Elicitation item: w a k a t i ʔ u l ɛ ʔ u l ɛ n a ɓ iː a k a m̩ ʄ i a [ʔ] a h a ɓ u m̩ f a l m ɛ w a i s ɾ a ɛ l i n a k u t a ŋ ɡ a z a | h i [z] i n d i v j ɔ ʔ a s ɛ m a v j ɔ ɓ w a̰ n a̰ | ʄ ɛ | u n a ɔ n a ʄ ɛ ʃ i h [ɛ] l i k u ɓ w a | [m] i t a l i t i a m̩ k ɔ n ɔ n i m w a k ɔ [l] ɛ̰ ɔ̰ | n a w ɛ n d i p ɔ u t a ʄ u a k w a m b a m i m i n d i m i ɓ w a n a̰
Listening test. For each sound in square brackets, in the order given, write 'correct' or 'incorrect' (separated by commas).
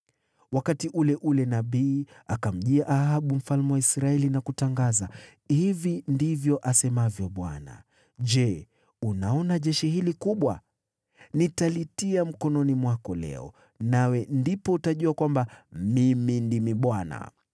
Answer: correct, incorrect, incorrect, incorrect, correct